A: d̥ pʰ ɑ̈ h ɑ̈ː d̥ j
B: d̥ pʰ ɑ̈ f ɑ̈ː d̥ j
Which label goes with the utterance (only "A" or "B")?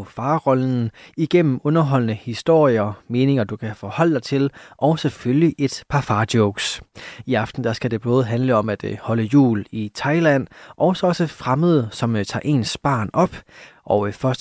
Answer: B